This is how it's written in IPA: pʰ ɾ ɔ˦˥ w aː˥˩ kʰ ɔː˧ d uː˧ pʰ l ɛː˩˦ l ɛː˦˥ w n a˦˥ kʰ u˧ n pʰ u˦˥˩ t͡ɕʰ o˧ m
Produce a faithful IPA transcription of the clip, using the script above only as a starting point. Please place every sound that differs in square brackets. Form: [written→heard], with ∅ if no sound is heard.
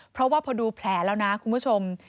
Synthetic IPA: pʰ ɾ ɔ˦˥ w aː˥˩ [kʰ→pʰ] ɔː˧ d uː˧ pʰ l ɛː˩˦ l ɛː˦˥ w n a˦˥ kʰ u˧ n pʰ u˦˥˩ t͡ɕʰ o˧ m